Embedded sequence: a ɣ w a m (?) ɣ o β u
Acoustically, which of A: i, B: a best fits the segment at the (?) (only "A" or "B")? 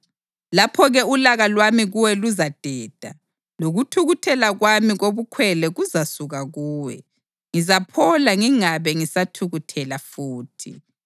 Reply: A